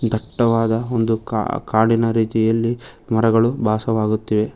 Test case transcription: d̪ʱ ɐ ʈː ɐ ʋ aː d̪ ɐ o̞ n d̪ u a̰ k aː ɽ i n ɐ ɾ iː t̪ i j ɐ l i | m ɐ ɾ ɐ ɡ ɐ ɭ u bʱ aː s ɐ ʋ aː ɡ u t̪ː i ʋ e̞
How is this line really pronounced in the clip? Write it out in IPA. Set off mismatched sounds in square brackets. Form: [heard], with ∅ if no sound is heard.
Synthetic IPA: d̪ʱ ɐ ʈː ɐ ʋ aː d̪ ɐ o̞ n d̪ u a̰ k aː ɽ i n ɐ ɾ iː t̪ i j ɐ [lː] i | m ɐ ɾ ɐ ɡ ɐ ɭ u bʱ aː s ɐ ʋ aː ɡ u t̪ː i ʋ e̞